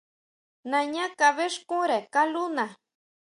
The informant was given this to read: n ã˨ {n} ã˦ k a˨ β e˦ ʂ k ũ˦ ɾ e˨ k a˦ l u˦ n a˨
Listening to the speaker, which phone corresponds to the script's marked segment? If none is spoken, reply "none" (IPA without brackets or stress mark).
ɲ